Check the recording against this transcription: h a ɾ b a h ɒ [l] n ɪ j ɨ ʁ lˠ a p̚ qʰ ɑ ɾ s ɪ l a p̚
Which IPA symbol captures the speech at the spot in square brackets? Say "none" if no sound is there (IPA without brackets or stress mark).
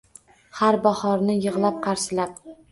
ɾ